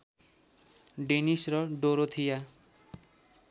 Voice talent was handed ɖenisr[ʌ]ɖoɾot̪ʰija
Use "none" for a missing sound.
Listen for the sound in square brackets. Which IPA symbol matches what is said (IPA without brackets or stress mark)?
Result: ʌ